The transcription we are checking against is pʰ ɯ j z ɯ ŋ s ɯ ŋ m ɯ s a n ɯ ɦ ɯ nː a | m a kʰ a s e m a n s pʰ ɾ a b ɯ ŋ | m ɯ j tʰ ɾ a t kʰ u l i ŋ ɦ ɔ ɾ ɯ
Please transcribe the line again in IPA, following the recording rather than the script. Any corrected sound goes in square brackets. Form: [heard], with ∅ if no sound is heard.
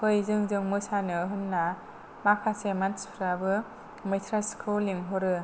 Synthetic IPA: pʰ ɯ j z ɯ ŋ [z] ɯ ŋ m ɯ s a n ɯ ɦ ɯ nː a | m a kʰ a s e m a n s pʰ ɾ a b ɯ [∅] | m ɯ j tʰ ɾ a [s] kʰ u l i ŋ ɦ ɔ ɾ ɯ